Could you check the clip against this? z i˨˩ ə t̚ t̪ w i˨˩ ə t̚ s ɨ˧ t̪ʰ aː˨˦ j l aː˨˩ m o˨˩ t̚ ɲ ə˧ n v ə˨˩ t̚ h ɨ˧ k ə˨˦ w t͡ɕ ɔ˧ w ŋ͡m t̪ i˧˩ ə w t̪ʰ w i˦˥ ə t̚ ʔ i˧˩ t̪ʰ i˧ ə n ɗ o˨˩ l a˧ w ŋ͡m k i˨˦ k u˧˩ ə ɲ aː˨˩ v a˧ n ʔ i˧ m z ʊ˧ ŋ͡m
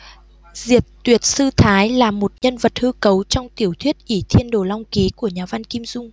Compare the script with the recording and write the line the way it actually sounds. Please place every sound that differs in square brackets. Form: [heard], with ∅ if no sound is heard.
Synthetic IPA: z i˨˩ ə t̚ t̪ w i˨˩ ə t̚ s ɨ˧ t̪ʰ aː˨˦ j l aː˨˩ m o˨˩ t̚ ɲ ə˧ n v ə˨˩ t̚ h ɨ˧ k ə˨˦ w t͡ɕ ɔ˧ w ŋ͡m t̪ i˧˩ ə w t̪ʰ w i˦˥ ə t̚ ʔ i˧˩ t̪ʰ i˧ ə n ɗ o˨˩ l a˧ w ŋ͡m k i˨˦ k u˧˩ ə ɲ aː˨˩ v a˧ n [k] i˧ m z ʊ˧ ŋ͡m